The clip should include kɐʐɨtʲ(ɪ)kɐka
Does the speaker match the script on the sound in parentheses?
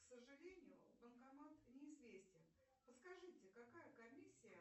yes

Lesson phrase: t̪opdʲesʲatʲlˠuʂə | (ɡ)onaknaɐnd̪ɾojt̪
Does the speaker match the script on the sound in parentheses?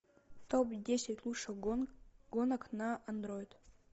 yes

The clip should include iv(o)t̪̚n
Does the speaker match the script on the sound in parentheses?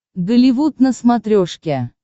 no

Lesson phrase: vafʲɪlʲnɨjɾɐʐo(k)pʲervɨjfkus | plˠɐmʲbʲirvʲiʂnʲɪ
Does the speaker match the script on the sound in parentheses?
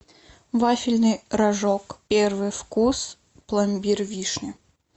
yes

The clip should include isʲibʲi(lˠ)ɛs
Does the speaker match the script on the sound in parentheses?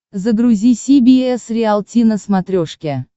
no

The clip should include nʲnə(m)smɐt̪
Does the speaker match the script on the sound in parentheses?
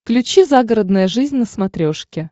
no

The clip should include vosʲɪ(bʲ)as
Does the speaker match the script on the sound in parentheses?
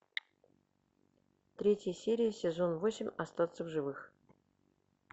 no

